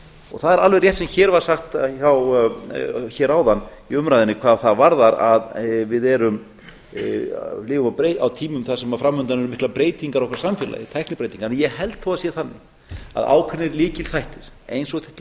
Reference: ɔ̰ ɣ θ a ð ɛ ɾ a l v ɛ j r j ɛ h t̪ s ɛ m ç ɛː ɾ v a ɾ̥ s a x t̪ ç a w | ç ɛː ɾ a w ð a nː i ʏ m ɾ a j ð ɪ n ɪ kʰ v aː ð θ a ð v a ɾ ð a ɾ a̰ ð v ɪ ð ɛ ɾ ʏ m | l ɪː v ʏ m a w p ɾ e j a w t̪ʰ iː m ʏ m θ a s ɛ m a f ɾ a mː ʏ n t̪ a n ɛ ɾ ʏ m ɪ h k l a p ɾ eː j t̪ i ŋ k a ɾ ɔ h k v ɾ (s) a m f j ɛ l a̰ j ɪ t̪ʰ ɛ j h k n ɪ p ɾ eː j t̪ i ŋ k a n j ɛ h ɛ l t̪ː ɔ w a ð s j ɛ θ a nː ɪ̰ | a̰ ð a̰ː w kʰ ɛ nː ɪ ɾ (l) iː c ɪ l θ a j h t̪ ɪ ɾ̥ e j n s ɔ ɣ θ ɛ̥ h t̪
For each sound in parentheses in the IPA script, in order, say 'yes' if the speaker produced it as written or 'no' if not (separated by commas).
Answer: yes, yes